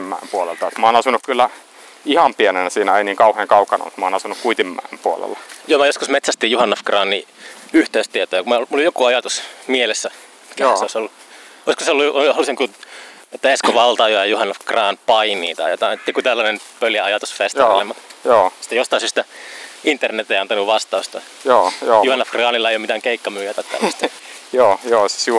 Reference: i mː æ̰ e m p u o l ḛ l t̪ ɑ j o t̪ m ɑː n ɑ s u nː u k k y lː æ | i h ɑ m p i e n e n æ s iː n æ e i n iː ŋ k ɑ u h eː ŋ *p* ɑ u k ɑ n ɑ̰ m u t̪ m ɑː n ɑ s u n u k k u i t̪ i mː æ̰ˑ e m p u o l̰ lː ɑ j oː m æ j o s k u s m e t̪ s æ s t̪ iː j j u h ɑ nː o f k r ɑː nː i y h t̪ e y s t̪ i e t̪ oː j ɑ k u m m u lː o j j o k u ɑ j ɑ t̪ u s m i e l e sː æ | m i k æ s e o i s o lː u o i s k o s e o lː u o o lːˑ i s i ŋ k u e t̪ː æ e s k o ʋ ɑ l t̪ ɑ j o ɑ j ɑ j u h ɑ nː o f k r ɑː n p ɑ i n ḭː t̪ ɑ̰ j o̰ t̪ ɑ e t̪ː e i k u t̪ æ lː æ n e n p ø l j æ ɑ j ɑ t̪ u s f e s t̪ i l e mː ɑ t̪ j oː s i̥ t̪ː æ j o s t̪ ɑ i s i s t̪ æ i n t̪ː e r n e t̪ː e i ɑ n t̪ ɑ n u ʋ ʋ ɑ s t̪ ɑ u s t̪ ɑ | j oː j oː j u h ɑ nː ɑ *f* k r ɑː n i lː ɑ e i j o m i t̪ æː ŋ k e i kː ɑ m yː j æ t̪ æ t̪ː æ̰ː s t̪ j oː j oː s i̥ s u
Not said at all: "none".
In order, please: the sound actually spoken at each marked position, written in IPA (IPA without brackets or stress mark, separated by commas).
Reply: k, f